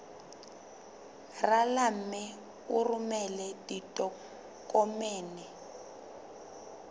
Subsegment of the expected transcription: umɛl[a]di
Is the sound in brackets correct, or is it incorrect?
incorrect